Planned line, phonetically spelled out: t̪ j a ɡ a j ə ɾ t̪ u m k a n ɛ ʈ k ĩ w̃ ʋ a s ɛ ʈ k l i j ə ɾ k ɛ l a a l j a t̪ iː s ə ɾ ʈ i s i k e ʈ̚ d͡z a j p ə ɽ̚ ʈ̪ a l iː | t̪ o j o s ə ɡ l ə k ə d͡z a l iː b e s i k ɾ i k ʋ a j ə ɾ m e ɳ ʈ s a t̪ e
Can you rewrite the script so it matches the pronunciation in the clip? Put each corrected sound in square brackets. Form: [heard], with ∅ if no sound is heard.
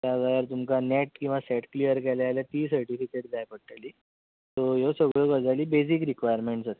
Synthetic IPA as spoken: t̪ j a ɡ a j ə ɾ t̪ u m k a n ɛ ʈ k ĩ w̃ ʋ a s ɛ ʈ k l i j ə ɾ k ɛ l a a l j a t̪ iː s ə ɾ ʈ i [f] i k e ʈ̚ d͡z a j p ə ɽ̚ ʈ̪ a l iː | t̪ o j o s ə ɡ [ɭ] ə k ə d͡z a l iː b e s i k ɾ i k ʋ a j ə ɾ m e ɳ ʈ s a t̪ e